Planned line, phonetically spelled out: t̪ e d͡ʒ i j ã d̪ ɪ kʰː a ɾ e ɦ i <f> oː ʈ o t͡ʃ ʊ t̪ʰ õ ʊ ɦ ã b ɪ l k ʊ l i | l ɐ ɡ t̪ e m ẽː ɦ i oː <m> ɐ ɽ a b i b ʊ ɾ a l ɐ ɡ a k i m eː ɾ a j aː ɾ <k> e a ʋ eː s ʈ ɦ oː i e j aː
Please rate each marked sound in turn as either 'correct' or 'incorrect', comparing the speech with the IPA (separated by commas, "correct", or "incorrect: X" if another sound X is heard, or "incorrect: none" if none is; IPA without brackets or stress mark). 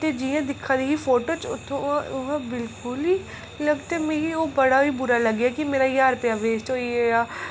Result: correct, incorrect: b, incorrect: p